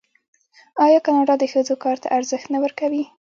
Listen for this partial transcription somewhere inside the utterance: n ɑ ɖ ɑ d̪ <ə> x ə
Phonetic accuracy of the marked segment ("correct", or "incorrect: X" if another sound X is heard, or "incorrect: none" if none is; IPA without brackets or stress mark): correct